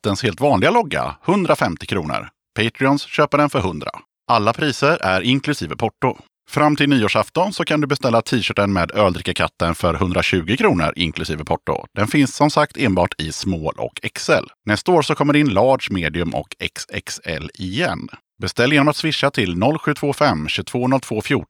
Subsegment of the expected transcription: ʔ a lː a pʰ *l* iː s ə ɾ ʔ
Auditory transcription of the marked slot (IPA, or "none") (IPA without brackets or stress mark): ɾ